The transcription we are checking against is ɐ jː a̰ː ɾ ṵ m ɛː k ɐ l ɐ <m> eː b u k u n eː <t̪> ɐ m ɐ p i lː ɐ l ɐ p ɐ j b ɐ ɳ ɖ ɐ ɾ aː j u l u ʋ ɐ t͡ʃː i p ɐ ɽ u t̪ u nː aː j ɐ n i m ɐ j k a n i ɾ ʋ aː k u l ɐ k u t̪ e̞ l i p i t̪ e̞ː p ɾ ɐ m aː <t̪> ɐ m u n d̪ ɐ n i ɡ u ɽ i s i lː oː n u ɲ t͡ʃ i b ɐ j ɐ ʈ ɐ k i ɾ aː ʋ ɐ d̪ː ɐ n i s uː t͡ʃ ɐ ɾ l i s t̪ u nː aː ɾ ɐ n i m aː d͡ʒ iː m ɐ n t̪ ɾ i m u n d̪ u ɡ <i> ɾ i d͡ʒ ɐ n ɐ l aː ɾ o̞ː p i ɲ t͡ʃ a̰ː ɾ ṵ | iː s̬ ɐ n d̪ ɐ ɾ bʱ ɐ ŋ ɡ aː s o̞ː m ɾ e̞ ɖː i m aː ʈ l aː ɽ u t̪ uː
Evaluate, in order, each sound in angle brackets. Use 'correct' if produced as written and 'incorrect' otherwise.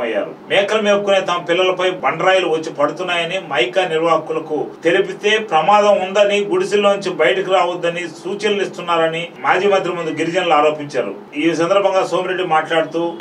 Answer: correct, correct, incorrect: d̪, correct

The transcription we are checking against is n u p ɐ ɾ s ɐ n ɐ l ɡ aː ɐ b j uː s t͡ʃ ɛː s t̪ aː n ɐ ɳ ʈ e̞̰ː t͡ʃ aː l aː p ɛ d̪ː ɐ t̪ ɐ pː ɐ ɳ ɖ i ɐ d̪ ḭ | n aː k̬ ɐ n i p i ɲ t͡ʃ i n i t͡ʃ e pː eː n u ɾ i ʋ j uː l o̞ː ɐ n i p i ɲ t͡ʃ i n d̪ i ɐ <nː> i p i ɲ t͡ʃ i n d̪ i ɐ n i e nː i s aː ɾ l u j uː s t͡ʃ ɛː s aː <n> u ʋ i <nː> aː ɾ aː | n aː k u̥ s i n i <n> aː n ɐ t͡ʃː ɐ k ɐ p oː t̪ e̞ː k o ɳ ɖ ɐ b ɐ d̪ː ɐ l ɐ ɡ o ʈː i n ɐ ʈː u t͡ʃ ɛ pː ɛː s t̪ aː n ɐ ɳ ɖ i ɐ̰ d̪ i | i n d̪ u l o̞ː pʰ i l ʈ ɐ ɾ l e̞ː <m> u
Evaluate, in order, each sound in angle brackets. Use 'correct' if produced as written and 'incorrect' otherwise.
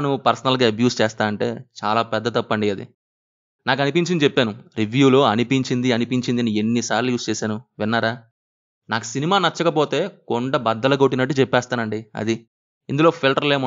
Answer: incorrect: n, correct, correct, incorrect: m, correct

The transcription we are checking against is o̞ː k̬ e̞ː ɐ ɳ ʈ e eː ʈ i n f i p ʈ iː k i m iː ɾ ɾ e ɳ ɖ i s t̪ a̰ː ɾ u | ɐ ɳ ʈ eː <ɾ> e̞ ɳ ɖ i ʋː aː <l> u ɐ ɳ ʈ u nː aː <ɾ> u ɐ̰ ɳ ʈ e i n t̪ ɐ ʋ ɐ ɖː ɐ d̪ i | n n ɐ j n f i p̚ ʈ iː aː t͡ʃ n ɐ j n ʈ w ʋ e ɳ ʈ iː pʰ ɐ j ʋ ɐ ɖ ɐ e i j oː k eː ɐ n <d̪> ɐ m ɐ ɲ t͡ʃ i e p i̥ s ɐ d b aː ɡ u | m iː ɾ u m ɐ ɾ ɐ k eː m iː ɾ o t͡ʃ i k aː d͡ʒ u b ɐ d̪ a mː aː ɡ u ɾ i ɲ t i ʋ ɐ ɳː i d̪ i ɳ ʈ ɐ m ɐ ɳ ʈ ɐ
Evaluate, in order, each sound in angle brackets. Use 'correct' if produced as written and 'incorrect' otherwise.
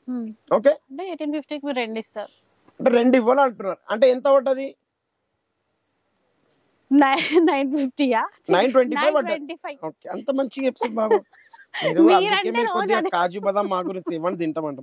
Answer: correct, correct, correct, incorrect: t̪

